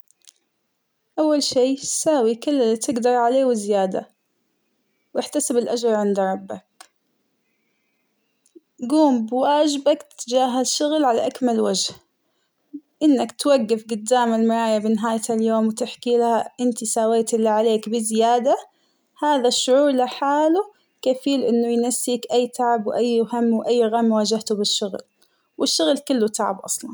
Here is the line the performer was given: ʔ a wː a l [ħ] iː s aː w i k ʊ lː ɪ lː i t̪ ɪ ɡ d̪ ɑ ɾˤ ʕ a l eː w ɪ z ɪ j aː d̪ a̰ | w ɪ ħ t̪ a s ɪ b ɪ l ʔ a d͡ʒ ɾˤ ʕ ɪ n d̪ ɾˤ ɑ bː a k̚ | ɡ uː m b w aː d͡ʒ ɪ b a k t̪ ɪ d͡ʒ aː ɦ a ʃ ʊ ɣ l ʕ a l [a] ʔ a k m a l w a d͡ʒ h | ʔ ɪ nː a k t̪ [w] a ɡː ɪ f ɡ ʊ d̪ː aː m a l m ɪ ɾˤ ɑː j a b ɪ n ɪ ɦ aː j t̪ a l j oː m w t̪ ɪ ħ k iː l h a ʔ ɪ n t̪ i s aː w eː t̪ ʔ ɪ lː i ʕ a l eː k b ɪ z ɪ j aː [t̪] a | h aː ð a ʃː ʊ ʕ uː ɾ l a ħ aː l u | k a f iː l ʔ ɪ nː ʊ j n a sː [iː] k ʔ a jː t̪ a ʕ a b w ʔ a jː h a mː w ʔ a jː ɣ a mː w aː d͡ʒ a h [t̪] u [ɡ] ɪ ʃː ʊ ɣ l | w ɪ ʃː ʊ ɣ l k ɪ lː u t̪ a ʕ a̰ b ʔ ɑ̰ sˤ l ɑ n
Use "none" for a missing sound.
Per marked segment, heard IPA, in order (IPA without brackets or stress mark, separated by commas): ʃ, a, w, d̪, iː, t̪, b